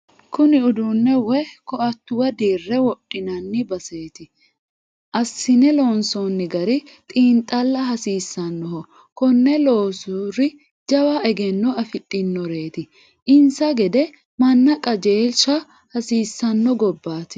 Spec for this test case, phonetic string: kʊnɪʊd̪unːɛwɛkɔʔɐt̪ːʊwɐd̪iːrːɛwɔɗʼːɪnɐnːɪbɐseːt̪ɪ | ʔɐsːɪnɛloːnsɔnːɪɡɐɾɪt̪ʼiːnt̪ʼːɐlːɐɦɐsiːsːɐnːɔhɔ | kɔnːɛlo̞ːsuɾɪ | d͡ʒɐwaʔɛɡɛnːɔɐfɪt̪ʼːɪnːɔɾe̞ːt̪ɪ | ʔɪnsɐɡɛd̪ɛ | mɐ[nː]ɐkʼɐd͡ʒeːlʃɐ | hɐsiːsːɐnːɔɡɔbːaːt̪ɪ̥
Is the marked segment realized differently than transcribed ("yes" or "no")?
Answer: no